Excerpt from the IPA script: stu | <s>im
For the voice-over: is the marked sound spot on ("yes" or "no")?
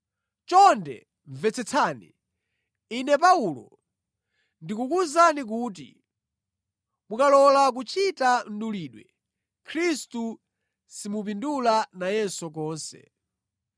yes